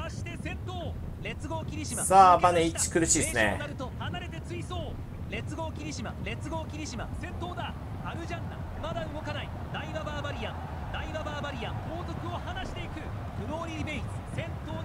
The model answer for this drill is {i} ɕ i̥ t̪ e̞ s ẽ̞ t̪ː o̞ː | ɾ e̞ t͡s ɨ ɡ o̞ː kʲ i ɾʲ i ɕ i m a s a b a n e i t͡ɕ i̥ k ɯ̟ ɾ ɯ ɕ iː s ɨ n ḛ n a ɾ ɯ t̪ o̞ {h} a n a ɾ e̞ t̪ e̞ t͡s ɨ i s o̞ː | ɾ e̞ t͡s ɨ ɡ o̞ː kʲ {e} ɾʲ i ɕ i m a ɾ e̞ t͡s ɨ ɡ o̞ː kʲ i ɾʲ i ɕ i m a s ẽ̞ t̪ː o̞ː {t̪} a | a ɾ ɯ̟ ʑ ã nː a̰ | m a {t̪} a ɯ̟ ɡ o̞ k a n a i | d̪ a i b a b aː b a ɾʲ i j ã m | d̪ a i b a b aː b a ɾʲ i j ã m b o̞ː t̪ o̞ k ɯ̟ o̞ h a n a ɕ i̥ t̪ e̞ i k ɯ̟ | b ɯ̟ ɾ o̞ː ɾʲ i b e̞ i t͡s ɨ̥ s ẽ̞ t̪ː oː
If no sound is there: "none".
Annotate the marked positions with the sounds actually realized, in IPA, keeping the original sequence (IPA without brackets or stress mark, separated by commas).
a, h, i, d̪, d̪